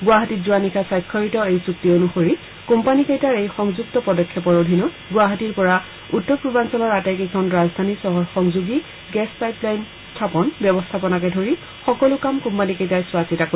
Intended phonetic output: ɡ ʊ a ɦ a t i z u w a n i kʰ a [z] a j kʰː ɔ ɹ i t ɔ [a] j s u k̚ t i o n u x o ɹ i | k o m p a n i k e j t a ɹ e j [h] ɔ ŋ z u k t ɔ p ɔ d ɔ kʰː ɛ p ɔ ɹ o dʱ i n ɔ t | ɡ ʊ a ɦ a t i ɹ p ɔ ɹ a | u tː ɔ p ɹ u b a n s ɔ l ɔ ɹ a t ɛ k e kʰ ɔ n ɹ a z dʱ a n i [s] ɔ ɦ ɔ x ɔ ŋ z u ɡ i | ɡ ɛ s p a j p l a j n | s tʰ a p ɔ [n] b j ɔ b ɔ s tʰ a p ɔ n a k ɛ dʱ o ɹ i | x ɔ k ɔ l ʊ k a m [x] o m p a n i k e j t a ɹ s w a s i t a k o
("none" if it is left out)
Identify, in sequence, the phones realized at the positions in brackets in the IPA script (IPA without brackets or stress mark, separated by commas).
s, e, x, s, n, k